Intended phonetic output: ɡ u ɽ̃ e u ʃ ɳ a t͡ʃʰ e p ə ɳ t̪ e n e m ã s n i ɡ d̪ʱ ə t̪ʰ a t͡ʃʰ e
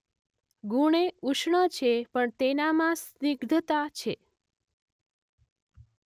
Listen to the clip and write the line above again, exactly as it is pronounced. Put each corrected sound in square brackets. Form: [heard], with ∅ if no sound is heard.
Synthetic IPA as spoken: ɡ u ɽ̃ e u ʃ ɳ [ə] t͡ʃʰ e p ə ɳ t̪ e n [a] m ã s n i ɡ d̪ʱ ə [t̪] a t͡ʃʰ e